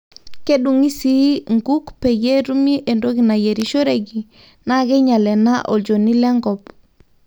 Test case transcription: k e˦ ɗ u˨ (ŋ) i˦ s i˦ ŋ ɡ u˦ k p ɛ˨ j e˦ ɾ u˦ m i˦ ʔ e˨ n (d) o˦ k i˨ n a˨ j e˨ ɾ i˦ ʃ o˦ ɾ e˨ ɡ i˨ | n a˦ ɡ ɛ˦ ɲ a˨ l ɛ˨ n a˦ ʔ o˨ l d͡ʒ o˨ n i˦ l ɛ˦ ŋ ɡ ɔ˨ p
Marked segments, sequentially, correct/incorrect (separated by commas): correct, correct